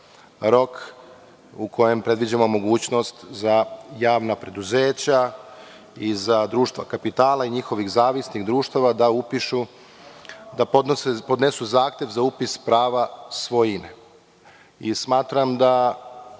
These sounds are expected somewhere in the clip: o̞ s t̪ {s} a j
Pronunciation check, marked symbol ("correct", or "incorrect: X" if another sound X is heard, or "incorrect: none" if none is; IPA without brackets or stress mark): incorrect: z